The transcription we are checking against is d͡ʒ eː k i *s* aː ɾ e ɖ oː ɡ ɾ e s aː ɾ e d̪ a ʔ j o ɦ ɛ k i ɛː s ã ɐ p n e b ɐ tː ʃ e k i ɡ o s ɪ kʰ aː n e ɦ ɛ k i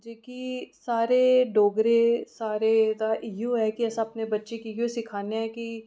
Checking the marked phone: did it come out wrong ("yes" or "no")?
no